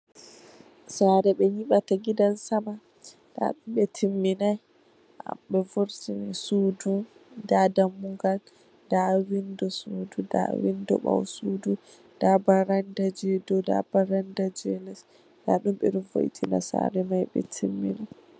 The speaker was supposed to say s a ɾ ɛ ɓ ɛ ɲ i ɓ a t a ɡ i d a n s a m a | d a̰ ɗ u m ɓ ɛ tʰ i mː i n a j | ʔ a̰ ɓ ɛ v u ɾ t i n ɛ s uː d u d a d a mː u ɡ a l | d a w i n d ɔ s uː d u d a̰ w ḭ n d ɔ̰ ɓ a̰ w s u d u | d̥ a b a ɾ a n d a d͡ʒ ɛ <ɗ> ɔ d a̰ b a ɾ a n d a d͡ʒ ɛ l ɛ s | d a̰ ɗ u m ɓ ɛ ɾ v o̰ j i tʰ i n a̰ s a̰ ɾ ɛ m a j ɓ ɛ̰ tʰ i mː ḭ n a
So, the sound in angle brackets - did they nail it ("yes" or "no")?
no